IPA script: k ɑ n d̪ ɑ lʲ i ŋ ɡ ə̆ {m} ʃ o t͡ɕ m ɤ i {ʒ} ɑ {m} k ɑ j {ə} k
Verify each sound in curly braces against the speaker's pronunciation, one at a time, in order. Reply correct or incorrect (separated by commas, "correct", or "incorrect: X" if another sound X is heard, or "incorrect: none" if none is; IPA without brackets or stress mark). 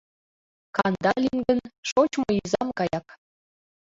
incorrect: n, incorrect: z, correct, incorrect: ɑ